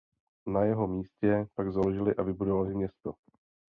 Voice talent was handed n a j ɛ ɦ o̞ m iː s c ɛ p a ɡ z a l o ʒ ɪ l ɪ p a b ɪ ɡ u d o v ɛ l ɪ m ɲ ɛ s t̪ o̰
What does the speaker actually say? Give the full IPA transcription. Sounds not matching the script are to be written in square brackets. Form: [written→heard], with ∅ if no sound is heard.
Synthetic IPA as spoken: n a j ɛ ɦ o̞ m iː s c ɛ p a ɡ z a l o ʒ ɪ l ɪ [p→ʔ] a [b→v] ɪ [ɡ→b] u d o v [ɛ→a] l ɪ m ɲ ɛ s t̪ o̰